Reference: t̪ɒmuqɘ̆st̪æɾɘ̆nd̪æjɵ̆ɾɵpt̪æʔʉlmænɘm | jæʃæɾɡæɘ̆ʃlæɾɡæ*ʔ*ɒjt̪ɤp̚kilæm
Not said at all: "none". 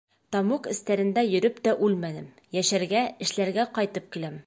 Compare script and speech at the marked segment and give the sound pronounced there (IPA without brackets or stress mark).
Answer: q